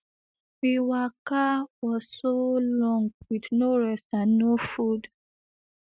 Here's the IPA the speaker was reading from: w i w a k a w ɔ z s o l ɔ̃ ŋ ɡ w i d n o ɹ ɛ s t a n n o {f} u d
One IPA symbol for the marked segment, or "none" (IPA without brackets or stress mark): f